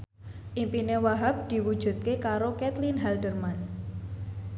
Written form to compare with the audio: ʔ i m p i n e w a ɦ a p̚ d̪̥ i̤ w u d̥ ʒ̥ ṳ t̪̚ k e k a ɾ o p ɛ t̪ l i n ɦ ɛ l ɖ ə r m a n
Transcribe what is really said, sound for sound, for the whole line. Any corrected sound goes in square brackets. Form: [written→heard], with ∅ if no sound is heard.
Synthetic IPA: ʔ i m p i n e w a ɦ a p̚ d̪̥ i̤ w u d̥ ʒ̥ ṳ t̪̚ k e k a ɾ o [p→k] ɛ t̪ l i n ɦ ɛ l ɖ ə r m a n